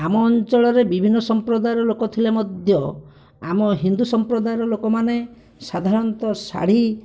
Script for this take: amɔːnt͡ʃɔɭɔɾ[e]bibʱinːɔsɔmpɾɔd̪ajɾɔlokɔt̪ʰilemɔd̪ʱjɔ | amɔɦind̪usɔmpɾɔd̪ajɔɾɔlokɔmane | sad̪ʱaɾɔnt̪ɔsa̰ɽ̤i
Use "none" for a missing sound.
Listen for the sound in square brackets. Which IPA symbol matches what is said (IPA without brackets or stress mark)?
e